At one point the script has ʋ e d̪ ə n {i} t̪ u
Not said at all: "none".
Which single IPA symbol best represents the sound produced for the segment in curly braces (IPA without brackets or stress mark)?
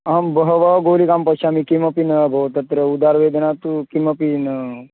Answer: a